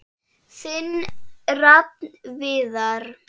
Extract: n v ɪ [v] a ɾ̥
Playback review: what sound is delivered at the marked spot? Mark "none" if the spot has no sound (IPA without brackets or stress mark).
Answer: ð